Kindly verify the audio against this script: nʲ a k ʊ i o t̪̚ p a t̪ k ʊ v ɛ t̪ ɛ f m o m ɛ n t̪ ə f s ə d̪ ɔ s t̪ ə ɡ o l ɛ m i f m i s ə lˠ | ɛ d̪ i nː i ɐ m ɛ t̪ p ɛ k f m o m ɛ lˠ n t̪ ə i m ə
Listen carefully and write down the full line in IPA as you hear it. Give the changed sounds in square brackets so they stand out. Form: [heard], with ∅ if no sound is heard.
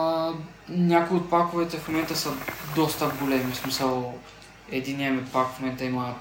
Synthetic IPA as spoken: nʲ a k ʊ i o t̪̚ p a [∅] k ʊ v ɛ t̪ ɛ f m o m ɛ n t̪ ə [∅] s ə d̪ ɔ s t̪ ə ɡ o l ɛ m i [s] m i s ə lˠ | ɛ d̪ i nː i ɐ m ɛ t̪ p [a] k f m o m ɛ [∅] n t̪ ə i m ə